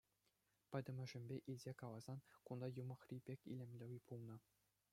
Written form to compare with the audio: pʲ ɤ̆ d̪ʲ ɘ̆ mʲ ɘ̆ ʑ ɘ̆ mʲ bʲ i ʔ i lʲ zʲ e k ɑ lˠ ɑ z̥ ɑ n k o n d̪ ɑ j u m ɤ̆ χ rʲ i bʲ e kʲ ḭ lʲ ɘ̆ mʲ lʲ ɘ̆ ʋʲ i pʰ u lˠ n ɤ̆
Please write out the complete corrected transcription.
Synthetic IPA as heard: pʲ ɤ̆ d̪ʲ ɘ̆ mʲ ɘ̆ ʐ ɘ̆ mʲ bʲ e ʔ i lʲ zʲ e k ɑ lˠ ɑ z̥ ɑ n k u n d̪ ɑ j u m ɤ̆ χ rʲ i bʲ e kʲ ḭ lʲ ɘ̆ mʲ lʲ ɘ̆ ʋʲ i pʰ u lˠ n ɤ̆